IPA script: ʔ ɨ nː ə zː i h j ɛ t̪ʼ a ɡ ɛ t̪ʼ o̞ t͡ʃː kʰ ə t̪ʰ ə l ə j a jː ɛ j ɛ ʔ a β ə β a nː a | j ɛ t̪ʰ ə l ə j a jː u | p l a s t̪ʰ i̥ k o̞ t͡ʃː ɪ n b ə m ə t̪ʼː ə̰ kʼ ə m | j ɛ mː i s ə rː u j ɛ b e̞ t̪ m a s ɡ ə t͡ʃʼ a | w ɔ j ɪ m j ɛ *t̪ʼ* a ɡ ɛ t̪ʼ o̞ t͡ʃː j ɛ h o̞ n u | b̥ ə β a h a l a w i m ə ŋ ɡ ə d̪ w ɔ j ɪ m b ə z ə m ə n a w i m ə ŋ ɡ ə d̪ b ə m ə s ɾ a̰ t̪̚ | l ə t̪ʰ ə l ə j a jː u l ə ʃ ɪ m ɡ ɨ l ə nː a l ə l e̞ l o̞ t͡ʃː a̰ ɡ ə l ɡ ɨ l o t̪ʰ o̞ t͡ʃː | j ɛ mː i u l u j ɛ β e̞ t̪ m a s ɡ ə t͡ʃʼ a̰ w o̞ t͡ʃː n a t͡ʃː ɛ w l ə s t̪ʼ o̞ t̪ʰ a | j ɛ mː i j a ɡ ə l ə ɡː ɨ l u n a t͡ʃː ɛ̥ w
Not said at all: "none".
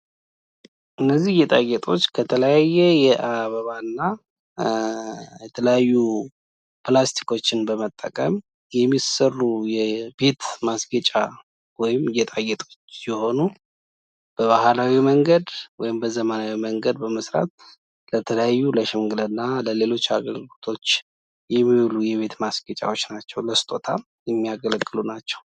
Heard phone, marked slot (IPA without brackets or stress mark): t̪ʼ